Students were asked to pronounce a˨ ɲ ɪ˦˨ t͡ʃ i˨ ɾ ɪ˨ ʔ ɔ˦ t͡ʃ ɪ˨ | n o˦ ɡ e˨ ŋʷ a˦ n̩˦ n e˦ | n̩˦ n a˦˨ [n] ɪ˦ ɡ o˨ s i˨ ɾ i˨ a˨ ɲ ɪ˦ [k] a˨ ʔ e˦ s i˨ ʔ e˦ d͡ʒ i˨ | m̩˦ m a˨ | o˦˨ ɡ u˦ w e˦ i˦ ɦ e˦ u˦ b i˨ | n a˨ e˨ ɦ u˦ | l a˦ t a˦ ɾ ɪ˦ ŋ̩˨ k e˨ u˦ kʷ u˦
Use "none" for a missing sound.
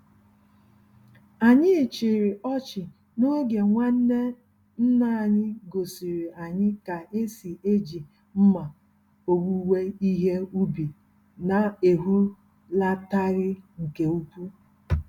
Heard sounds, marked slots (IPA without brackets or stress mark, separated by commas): ɲ, k